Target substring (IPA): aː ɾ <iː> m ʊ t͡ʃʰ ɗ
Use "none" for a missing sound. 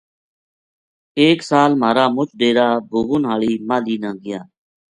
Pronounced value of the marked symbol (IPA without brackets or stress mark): aː